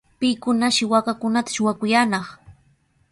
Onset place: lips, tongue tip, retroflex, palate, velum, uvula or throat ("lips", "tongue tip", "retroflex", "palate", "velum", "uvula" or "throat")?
lips